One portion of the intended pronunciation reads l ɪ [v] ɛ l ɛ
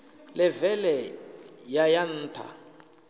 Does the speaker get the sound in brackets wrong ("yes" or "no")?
no